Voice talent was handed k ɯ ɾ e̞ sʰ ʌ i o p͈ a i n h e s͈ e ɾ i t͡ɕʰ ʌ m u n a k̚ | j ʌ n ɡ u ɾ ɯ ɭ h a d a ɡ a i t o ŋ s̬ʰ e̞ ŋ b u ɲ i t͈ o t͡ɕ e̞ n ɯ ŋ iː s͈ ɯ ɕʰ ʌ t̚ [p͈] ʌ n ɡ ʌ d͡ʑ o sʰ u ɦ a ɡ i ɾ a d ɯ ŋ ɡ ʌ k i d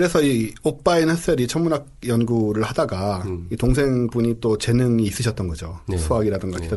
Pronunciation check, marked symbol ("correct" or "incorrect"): incorrect